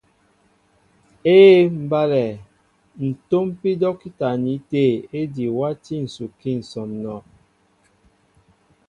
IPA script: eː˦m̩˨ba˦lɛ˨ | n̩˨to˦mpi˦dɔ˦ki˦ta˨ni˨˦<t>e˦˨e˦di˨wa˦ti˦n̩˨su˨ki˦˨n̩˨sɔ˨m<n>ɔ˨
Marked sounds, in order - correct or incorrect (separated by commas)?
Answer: correct, correct